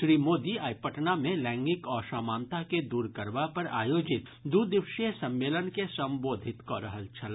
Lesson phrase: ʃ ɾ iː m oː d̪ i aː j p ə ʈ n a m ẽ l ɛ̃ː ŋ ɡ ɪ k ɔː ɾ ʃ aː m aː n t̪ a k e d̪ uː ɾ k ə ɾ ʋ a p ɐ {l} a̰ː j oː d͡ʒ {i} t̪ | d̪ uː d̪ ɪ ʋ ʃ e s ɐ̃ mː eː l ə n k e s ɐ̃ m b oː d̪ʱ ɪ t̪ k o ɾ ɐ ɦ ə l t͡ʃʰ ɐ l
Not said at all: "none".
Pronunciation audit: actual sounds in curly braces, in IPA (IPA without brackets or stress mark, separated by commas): ɾ, ɪ